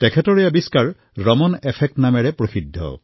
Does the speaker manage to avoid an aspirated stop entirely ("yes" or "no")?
no